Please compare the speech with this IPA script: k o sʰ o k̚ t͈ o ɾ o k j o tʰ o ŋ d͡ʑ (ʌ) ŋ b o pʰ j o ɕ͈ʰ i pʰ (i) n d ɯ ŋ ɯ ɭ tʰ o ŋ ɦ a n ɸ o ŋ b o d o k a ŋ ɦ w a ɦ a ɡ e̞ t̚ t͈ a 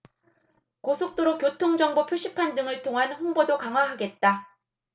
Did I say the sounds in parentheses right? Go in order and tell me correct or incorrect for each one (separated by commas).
correct, incorrect